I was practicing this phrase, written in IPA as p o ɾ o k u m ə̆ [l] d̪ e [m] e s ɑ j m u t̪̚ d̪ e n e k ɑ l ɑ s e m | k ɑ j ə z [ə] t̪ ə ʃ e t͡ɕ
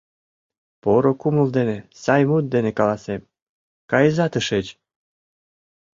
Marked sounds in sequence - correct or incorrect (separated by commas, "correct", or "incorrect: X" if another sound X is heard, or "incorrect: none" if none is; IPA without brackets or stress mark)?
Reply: correct, incorrect: n, incorrect: ɑ